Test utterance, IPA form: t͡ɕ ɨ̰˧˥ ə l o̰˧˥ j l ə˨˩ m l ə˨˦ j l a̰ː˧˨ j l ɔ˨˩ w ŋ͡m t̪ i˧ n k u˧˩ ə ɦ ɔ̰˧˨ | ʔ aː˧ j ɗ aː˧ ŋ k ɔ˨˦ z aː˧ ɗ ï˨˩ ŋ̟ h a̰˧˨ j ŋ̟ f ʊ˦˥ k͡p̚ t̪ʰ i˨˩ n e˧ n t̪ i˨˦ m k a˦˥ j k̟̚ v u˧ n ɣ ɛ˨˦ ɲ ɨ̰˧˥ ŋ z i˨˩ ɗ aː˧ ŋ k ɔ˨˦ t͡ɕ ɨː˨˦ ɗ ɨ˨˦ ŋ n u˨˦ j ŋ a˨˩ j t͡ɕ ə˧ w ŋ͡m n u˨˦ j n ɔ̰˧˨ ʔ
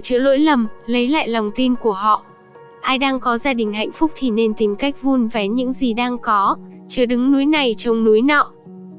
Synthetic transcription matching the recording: t͡ɕ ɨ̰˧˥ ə l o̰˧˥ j l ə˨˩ m l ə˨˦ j l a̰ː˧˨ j l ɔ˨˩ w ŋ͡m t̪ i˧ n k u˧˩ ə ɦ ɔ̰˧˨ | ʔ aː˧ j ɗ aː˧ ŋ k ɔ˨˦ z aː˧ ɗ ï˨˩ ŋ̟ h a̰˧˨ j ŋ̟ f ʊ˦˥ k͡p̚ t̪ʰ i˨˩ n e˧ n t̪ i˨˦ m k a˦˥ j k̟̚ v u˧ n v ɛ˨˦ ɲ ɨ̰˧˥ ŋ z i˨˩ ɗ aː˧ ŋ k ɔ˨˦ t͡ɕ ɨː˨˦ ɗ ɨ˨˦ ŋ n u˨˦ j n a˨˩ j t͡ɕ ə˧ w ŋ͡m n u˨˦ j n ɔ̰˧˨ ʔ